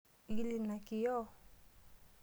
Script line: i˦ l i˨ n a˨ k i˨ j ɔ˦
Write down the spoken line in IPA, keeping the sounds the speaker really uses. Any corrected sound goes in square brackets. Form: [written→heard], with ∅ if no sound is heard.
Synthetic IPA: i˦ l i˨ n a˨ k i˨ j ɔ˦